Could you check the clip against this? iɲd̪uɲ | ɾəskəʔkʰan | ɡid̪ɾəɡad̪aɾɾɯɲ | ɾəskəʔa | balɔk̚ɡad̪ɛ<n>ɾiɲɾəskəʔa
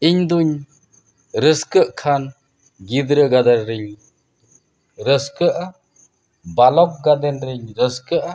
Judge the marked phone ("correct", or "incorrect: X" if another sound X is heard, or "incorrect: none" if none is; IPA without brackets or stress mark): correct